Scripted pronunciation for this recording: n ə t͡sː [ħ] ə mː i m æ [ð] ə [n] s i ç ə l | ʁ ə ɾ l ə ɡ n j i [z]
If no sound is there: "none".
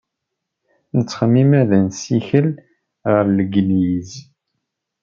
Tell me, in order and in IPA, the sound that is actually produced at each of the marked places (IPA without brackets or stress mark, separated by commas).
χ, ð, n, z